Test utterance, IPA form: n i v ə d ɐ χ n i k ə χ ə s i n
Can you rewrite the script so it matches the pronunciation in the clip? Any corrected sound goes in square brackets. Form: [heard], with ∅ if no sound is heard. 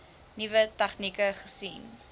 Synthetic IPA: n i v ə [t] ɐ χ n i k ə χ ə s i n

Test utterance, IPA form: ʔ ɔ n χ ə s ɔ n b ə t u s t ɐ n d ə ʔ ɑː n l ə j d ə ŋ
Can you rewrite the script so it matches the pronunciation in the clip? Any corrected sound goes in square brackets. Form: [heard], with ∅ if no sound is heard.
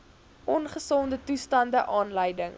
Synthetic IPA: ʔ ɔ n χ ə s ɔ n [d] ə t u s t ɐ n d ə ʔ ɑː n l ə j d ə ŋ

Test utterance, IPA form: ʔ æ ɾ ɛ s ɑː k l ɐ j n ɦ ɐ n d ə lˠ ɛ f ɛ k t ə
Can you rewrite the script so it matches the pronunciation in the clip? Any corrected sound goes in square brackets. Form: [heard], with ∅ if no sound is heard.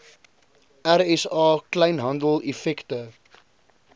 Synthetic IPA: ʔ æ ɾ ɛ s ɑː k l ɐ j n ɦ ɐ n d ə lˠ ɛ f ɛ k t ə

